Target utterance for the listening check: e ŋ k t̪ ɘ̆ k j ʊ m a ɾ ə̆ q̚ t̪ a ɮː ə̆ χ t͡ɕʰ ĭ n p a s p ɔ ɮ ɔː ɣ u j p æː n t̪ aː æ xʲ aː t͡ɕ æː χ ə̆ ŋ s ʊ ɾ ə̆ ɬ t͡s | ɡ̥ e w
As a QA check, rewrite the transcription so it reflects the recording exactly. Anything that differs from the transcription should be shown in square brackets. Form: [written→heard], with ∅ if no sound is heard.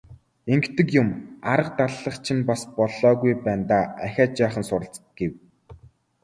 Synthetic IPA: e ŋ k t̪ ɘ̆ k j ʊ m a ɾ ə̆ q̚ t̪ a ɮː ə̆ χ t͡ɕʰ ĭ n p a s p ɔ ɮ ɔː ɣ u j p æː n t̪ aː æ xʲ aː t͡ɕ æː χ ə̆ [ŋ→n] s ʊ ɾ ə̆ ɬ t͡s | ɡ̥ e w